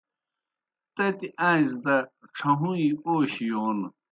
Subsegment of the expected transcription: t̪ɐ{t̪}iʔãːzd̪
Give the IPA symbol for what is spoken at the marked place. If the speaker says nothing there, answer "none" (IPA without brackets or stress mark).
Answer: t̪